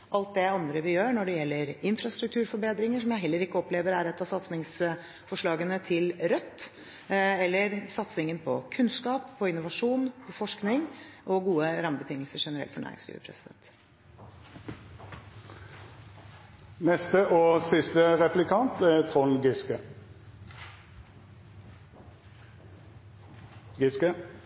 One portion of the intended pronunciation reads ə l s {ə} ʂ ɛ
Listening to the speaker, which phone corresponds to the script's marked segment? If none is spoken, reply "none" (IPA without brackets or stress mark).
ə